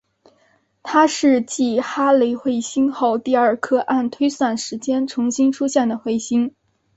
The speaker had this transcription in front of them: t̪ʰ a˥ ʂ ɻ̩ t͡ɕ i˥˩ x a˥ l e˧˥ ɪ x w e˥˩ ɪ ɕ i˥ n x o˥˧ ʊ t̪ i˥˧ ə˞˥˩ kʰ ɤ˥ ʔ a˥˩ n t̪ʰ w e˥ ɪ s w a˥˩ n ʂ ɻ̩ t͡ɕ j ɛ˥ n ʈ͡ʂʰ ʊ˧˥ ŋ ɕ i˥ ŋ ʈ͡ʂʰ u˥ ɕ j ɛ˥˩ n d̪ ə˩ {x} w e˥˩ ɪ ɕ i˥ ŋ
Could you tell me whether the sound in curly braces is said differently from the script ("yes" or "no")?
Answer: no